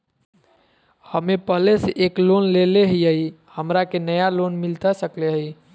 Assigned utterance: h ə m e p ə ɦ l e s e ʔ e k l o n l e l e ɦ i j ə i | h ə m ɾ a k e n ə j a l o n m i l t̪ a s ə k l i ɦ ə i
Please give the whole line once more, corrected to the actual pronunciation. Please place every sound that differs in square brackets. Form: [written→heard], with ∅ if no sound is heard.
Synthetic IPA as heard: h ə m e p ə ɦ l e s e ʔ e k l o n l e l e ɦ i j ə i | h ə m ɾ a k e n ə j a l o n m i l t̪ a s ə k l [i→e] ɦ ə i